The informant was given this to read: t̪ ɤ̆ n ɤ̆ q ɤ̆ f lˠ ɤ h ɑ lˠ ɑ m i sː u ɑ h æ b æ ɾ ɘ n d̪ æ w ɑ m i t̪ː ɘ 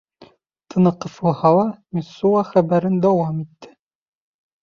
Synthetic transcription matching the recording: t̪ ɤ̆ n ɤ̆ q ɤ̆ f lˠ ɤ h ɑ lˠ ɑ m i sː u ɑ χ æ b æ ɾ ɘ n d̪ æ w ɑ m i t̪ː ɘ